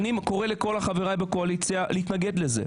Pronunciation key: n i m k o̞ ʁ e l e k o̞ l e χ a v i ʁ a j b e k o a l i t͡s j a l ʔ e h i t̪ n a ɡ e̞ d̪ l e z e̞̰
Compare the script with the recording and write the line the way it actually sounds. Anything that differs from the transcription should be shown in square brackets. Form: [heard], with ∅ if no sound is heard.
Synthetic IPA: n i m k o̞ ʁ e l e k o̞ l [a] χ a v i ʁ a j b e k o a l i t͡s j a l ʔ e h i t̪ n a ɡ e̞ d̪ l e z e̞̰